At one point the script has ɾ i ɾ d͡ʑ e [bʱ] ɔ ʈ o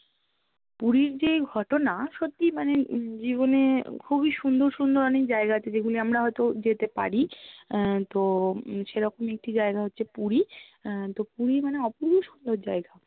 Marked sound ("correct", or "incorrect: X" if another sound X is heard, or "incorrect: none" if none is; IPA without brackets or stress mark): incorrect: ɡʱ